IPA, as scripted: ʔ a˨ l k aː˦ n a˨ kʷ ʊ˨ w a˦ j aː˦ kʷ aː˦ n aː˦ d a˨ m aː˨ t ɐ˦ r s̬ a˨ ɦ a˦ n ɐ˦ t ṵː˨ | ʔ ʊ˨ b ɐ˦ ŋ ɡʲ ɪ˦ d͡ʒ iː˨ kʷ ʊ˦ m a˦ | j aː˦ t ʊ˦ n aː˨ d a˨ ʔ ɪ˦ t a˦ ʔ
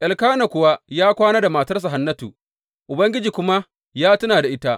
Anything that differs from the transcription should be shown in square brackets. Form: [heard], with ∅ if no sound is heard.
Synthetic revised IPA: ʔ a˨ l k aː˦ n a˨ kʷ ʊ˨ w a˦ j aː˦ kʷ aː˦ n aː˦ d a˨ m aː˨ t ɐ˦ r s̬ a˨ ɦ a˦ [nː] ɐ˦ t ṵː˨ | ʔ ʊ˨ b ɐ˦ ŋ ɡʲ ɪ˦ d͡ʒ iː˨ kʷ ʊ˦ m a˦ | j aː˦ t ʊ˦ n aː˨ d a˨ ʔ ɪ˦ t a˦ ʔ